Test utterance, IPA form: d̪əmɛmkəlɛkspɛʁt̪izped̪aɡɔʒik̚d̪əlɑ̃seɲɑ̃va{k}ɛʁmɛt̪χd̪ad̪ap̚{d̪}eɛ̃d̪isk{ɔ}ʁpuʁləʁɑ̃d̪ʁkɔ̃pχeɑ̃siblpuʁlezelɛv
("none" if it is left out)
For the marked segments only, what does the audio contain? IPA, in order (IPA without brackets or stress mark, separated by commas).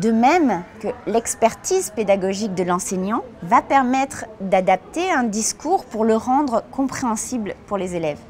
p, t̪, u